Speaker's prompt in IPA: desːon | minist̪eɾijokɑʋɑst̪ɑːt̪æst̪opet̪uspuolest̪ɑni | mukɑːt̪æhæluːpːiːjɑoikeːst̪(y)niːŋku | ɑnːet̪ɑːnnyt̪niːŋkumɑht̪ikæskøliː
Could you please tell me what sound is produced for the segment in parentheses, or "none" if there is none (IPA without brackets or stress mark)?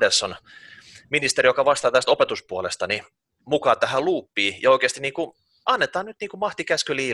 i